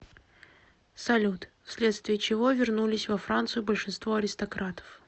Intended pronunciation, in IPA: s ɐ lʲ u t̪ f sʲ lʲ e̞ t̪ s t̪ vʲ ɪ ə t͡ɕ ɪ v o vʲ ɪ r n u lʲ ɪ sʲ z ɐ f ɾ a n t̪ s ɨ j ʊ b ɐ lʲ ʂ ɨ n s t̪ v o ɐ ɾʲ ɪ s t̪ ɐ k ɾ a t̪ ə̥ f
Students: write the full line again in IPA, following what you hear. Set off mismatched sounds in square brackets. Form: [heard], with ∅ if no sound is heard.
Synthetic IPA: s ɐ lʲ u t̪ f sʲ lʲ e̞ t̪ s t̪ vʲ ɪ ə t͡ɕ ɪ v o vʲ ɪ r n u lʲ ɪ sʲ [v] ɐ f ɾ a n t̪ s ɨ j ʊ b [ə] lʲ ʂ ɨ n s t̪ v o ɐ ɾʲ ɪ s t̪ ɐ k ɾ a t̪ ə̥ f